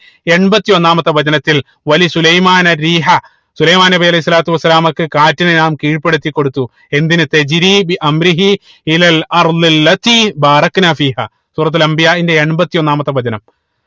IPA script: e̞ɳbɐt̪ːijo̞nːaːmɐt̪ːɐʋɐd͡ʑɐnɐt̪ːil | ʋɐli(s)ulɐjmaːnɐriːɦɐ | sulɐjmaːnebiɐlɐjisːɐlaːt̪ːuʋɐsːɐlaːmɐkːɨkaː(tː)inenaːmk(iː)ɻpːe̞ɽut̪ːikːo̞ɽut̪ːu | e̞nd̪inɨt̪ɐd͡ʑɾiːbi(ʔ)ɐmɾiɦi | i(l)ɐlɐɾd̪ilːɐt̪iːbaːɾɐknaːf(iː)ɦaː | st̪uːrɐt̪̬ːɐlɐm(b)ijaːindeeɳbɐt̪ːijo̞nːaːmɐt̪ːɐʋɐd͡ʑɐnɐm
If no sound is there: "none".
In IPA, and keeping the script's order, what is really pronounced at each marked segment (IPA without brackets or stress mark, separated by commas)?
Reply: s, tː, iː, ʔ, l, iː, b